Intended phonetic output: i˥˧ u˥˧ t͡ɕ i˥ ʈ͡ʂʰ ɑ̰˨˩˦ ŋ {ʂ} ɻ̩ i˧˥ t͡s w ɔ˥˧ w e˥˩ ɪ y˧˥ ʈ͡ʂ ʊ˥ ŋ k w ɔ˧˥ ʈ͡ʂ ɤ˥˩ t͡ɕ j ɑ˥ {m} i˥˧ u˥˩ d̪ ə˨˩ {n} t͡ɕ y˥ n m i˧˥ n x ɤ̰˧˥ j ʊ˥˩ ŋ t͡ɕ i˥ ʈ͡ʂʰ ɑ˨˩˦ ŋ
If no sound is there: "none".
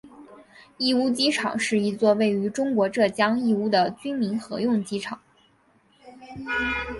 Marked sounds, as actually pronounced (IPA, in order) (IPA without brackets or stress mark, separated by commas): ʂ, ŋ, none